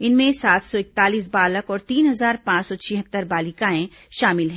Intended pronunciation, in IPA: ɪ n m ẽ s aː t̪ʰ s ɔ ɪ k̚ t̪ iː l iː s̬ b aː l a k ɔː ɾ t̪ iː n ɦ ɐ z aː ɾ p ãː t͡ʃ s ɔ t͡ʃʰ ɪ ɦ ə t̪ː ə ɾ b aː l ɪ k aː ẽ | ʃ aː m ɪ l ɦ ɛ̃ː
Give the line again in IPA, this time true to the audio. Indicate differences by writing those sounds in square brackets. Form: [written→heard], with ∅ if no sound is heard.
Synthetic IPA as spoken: ɪ n m ẽ s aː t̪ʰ s ɔ ɪ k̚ t̪ [iː→aː] l iː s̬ b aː l [a→ə] k ɔː ɾ t̪ iː n ɦ ɐ z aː ɾ p ãː t͡ʃ s ɔ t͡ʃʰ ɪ ɦ ə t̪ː ə ɾ b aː l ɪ k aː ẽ | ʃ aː m ɪ l ɦ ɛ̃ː